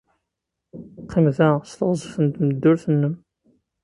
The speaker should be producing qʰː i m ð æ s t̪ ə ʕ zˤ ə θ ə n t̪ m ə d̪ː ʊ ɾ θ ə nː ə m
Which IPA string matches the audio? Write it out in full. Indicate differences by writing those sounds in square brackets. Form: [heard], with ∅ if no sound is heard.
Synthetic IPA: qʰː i m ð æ s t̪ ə [ʁ] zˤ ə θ ə n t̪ m ə d̪ː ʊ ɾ θ ə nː ə m

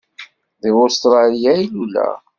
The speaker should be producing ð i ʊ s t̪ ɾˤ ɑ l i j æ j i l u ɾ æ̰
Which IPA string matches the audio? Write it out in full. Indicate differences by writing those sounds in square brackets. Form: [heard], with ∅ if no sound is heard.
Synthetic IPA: ð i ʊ s t̪ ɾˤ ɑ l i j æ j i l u [l] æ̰

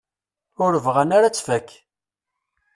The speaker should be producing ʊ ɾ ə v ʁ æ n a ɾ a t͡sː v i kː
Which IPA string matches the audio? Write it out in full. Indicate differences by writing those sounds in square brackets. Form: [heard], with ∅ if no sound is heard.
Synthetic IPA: ʊ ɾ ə v ʁ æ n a ɾ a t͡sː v [æ] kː

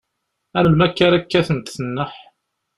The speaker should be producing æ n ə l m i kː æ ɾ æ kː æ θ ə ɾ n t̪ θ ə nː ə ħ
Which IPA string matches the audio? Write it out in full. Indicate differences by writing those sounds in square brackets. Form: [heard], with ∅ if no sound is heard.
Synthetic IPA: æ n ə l m [æ] kː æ ɾ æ kː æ θ ə [∅] n t̪ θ ə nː ə ħ

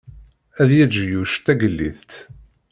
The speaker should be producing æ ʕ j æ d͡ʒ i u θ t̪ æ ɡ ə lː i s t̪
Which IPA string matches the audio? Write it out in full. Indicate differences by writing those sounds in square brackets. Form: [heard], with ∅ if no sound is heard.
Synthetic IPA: æ [ð] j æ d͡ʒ [j] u [ʃ] t̪ æ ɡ ə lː i [θ] t̪

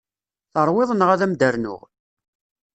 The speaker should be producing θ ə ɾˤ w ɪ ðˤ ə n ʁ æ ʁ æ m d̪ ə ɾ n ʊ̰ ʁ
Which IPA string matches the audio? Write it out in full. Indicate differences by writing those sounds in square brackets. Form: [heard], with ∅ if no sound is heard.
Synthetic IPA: θ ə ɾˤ w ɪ ðˤ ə n ʁ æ [ð] æ m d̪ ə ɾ n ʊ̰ ʁ

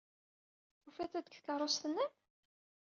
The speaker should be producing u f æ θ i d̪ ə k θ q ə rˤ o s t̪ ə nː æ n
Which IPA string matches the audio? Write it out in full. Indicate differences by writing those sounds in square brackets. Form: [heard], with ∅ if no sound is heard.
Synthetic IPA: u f æ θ [æ] d̪ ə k θ [k] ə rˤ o s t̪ ə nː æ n

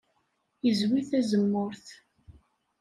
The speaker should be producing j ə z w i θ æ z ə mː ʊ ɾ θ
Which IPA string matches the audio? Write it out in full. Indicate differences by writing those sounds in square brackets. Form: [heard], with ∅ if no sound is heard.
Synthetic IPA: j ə z w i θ æ z ə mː ʊ ɾ θ

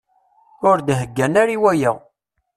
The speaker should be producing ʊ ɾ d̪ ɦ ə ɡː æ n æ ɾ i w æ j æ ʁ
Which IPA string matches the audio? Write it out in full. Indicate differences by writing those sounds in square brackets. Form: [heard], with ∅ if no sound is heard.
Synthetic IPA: ʊ ɾ d̪ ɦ ə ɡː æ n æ ɾ i w æ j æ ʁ

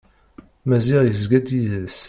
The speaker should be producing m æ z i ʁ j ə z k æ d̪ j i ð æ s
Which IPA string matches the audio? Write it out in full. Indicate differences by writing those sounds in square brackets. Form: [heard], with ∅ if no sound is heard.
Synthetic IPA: m æ z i ʁ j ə z [ɡ] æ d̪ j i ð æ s

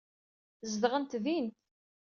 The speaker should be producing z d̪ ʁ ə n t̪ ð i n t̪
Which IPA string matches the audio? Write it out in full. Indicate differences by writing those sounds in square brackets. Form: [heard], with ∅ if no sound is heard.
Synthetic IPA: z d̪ ʁ ə n t̪ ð i n t̪

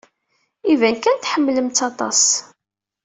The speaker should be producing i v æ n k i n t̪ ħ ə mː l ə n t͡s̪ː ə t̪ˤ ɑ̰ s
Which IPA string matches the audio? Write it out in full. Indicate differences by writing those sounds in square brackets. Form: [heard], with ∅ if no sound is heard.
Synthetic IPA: i v æ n k [æ] n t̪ ħ ə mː l ə [m] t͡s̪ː [ɑ] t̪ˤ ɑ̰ s

